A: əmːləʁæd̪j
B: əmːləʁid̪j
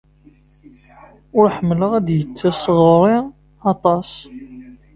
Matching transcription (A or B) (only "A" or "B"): A